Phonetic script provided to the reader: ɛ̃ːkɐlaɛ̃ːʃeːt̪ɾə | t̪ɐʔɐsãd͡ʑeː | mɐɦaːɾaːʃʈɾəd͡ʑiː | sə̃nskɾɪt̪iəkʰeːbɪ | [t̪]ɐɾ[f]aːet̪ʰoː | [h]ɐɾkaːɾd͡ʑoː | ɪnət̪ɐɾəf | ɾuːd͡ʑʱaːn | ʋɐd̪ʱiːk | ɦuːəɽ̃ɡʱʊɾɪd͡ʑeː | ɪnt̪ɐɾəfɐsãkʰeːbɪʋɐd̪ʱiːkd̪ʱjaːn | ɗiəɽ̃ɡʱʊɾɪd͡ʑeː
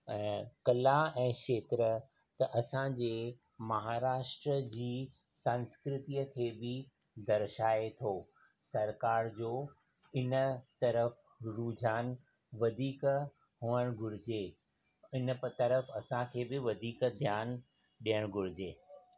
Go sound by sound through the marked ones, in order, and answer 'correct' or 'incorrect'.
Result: incorrect: d̪, incorrect: ʃ, incorrect: s

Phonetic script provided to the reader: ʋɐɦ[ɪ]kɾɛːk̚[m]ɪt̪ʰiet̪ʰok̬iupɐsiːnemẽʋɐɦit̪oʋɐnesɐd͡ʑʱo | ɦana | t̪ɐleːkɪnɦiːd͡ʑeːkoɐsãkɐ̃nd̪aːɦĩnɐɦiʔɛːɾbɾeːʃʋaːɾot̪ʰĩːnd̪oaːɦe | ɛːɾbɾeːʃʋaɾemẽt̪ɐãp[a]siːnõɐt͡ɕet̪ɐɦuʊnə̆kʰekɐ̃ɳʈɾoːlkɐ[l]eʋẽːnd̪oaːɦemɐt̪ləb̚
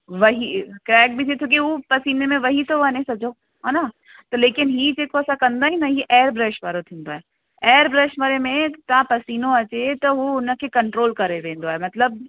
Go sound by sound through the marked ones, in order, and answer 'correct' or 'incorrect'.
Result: incorrect: i, incorrect: b, incorrect: ɐ, incorrect: ɾ

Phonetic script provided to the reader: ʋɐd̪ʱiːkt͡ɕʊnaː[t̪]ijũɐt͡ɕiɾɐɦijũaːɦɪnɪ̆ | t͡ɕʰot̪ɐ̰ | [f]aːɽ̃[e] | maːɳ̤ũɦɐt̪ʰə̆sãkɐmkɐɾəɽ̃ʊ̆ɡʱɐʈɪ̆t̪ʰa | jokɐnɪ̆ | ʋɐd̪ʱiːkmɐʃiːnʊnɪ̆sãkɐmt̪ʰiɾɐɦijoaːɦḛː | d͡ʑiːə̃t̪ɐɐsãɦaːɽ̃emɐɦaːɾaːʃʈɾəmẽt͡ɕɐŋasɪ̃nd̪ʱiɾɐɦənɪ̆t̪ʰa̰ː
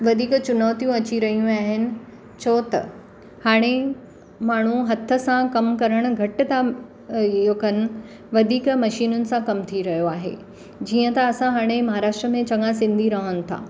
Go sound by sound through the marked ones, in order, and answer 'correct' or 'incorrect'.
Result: correct, incorrect: h, correct

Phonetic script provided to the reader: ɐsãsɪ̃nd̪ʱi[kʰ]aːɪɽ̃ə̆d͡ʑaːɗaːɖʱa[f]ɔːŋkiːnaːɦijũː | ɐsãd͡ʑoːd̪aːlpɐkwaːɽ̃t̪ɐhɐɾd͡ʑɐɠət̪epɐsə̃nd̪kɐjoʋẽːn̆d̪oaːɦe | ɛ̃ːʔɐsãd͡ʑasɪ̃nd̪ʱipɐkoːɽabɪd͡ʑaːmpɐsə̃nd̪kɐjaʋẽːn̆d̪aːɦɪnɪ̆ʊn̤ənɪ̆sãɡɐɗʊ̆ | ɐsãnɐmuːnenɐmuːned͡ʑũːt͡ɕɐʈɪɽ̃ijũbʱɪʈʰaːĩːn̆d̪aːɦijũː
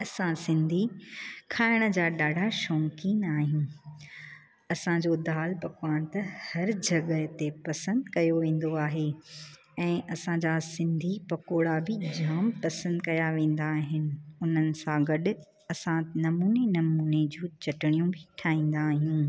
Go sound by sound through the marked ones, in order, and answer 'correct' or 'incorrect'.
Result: correct, incorrect: ʃ

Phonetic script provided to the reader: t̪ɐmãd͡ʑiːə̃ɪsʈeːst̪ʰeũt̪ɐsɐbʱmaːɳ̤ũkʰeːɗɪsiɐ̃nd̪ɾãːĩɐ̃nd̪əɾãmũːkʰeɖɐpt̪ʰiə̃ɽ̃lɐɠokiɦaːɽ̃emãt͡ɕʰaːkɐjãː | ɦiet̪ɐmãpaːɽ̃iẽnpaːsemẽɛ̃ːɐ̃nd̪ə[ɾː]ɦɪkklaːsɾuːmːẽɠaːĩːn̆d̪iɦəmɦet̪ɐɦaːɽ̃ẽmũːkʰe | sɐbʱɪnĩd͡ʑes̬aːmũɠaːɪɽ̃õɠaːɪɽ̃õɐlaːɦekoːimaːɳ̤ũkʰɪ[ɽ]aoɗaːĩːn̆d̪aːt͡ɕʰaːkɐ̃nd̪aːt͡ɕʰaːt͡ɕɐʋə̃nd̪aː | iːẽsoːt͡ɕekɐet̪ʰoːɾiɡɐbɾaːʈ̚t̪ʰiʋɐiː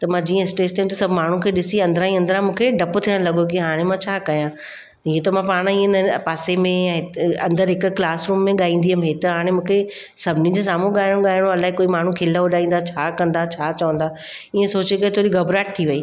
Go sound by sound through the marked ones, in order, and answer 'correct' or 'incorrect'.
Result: incorrect: ɾ, incorrect: l

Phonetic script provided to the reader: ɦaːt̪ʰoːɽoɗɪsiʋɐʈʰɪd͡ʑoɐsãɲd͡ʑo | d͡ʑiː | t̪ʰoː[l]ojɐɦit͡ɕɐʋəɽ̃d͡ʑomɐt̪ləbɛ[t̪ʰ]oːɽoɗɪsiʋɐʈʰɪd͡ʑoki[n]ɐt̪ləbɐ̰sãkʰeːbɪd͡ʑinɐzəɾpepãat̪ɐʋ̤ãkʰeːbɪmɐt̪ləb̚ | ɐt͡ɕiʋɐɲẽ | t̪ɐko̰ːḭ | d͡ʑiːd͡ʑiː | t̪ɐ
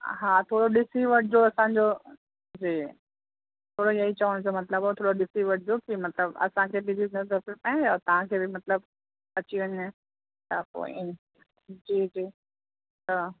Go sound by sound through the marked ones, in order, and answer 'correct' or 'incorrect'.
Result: incorrect: ɽ, correct, incorrect: m

